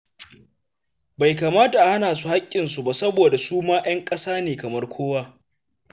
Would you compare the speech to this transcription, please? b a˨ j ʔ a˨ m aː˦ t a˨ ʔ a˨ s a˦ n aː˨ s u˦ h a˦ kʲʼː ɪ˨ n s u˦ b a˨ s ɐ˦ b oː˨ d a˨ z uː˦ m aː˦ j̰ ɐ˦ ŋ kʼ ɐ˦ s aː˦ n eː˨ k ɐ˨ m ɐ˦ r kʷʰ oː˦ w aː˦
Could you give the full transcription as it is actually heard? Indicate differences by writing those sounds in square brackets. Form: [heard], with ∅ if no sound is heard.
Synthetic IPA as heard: b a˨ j [k] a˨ m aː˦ t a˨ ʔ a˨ [h] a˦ n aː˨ s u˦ h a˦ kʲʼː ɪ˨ n s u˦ b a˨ s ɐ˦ b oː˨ d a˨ [s] uː˦ m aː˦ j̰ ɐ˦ ŋ kʼ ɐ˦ s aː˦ n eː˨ k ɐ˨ m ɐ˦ r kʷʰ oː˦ w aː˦